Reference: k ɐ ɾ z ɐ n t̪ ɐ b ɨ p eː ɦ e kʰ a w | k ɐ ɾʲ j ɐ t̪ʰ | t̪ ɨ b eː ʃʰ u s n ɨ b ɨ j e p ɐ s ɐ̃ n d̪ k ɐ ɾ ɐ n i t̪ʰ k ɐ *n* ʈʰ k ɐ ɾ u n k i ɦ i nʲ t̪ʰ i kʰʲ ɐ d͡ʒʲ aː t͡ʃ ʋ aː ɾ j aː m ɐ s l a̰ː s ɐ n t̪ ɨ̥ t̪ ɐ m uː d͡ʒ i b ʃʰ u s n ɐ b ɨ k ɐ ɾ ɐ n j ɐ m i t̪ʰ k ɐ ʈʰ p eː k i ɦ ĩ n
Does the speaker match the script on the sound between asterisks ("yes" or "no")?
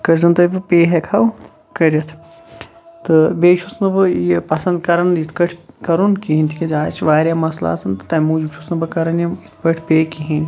no